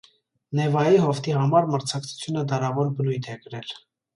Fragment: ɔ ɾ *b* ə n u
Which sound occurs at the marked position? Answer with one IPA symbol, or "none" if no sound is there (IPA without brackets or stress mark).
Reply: b